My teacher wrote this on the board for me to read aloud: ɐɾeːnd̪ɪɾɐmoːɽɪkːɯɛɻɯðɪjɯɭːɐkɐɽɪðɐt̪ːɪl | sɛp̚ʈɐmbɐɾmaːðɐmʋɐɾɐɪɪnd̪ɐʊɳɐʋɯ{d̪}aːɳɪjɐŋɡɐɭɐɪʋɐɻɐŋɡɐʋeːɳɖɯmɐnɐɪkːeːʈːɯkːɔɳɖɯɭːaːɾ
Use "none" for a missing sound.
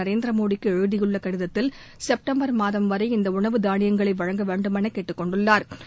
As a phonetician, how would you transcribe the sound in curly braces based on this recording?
d̪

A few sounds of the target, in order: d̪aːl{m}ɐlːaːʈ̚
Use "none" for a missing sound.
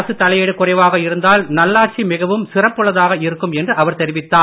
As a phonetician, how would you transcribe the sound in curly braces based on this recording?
n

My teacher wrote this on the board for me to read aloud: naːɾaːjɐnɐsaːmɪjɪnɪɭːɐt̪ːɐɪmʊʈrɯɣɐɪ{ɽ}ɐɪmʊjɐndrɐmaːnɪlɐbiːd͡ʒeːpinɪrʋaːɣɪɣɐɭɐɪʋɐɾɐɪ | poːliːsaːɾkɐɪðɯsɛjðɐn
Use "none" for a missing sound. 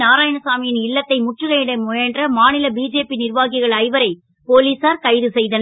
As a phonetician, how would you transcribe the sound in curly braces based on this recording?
ɽ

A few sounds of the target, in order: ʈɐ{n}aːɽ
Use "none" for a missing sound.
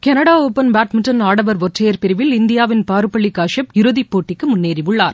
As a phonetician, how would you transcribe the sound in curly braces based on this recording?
n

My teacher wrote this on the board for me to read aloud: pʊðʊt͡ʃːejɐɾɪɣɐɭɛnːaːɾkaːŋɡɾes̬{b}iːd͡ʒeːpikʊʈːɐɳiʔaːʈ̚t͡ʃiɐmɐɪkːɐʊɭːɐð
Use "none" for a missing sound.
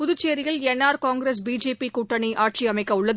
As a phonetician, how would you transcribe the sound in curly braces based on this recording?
b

